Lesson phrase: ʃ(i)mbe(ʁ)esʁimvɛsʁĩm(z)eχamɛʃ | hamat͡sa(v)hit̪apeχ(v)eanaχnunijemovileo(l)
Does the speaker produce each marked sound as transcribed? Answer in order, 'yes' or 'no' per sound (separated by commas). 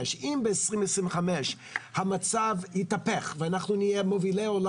yes, no, no, yes, yes, yes